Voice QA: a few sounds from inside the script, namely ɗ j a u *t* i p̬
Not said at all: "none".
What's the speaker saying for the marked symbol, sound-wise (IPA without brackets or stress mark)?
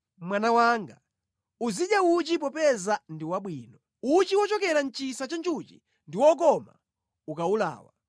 t͡ʃ